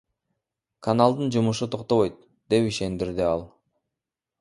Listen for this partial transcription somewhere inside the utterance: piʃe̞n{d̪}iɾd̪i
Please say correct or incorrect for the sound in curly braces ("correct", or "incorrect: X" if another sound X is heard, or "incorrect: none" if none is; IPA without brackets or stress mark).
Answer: correct